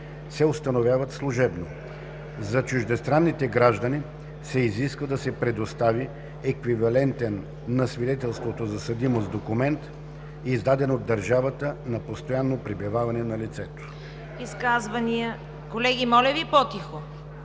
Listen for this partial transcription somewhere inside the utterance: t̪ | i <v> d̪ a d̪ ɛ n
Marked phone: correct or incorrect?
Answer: incorrect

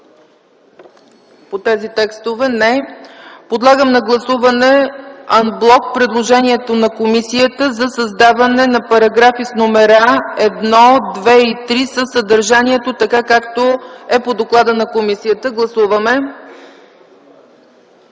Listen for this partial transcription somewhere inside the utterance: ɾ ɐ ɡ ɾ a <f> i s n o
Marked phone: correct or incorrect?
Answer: correct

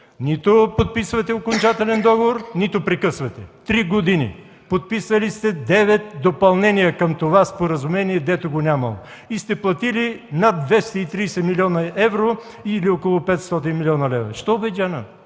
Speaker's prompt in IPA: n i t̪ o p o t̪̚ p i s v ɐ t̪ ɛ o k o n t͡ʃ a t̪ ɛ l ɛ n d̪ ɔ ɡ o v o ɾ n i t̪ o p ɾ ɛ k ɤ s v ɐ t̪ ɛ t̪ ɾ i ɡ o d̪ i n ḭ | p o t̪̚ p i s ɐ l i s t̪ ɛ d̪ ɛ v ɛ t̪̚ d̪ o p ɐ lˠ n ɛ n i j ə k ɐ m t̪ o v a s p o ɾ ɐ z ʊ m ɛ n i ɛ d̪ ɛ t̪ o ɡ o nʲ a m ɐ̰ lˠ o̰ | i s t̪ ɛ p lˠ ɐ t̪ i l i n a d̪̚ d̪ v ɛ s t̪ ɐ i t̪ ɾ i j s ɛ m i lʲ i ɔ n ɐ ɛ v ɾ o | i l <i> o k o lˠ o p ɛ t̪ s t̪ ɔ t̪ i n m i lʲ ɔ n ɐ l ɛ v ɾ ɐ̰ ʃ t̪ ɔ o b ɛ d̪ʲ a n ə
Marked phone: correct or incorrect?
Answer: correct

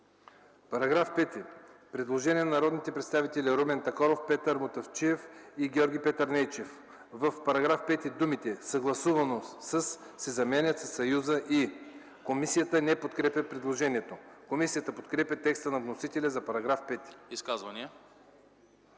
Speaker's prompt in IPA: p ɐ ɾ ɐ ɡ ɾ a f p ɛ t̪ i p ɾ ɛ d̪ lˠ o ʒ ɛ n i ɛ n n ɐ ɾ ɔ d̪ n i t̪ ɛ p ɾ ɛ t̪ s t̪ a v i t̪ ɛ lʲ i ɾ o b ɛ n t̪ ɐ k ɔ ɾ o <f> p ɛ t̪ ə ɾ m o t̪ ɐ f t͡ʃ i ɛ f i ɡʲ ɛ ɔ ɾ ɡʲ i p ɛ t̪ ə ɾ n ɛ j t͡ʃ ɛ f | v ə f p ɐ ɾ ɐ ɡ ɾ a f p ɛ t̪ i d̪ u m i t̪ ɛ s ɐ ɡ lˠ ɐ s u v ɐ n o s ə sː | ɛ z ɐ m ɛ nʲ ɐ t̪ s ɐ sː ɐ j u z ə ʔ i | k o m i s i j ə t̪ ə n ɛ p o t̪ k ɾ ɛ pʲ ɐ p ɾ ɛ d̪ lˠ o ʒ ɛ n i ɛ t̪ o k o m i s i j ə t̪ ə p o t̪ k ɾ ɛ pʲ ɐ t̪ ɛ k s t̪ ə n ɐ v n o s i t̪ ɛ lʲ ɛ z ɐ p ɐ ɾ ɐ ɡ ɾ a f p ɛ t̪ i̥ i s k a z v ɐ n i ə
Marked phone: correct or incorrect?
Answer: correct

